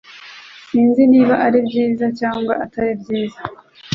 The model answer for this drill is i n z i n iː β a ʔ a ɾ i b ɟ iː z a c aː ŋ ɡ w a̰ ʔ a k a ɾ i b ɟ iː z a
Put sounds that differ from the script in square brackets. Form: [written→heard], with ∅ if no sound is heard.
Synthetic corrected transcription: i n z i n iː β a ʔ a ɾ i b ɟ iː z a c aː ŋ ɡ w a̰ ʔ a [k→t] a ɾ i b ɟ iː z a